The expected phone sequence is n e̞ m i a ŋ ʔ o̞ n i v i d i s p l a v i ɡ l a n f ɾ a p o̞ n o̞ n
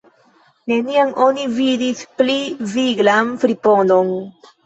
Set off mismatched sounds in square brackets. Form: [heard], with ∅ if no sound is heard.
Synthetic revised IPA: n e̞ [n] i a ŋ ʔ o̞ n i v i d i s p l [i] v i ɡ l a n f ɾ [i] p o̞ n o̞ n